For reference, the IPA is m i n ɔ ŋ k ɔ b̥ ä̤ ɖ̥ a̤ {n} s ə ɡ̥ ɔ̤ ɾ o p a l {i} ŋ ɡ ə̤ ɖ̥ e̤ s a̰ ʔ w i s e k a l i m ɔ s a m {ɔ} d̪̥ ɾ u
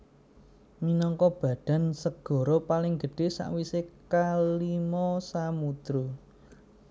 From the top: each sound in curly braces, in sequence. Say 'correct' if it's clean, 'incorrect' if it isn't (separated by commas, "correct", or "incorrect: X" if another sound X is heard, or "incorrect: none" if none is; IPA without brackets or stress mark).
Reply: correct, incorrect: ɪ, incorrect: u